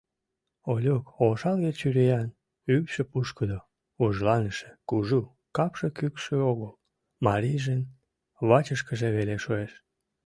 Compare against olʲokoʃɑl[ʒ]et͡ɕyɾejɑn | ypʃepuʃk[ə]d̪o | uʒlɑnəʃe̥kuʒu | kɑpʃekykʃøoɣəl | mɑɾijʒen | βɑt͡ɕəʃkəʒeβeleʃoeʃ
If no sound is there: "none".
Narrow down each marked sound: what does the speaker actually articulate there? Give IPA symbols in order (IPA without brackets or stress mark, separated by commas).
ɣ, ə